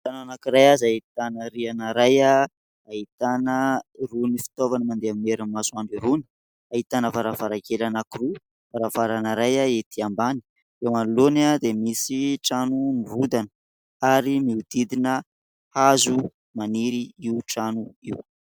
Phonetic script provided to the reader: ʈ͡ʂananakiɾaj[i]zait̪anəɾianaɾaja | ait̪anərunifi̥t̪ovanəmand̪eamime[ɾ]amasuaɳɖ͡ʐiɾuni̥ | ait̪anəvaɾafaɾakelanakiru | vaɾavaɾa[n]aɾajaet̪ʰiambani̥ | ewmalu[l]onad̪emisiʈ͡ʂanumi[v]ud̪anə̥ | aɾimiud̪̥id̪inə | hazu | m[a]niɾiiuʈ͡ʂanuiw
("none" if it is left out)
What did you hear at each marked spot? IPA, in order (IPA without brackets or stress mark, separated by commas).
a, ɾ, n, l, v, a